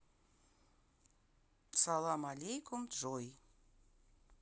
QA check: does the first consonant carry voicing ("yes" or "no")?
no